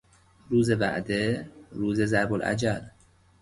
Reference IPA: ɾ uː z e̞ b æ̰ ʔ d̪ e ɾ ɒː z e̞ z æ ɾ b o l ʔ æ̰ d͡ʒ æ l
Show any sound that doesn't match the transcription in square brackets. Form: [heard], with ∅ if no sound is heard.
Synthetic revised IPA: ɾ uː z e̞ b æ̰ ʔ d̪ e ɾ [uː] z e̞ z æ ɾ b o l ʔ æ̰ d͡ʒ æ l